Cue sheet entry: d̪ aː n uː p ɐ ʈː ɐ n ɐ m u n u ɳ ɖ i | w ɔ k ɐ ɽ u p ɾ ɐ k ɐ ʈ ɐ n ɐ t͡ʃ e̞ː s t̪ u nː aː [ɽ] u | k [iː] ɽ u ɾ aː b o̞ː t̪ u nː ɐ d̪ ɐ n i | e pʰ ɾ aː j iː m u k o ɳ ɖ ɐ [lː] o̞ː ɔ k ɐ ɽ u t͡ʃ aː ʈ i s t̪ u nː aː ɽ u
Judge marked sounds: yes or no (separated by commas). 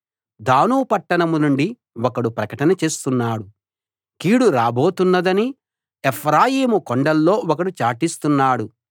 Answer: yes, yes, yes